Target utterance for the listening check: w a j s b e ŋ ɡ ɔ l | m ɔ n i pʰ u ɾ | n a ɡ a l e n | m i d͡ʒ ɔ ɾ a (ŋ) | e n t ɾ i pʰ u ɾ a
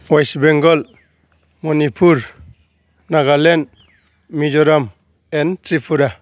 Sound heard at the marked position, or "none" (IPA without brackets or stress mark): m